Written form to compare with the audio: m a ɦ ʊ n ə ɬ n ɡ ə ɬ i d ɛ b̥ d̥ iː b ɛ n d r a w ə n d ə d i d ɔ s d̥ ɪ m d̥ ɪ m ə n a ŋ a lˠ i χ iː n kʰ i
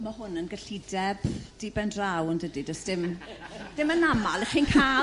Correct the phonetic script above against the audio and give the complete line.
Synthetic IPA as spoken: m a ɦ ʊ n ə n ɡ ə ɬ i d ɛ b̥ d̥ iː b ɛ n d r a w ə n d ə d i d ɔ s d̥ ɪ m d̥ ɪ m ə n a m a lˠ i χ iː n kʰ a